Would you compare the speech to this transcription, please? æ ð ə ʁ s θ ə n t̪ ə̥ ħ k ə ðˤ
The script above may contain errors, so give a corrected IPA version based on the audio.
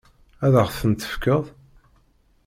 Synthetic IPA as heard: æ ð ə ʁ θ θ ə n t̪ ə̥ f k ə ðˤ